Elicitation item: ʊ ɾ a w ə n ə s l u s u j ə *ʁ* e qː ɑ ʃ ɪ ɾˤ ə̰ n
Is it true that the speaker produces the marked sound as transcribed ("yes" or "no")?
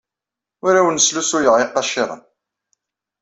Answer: yes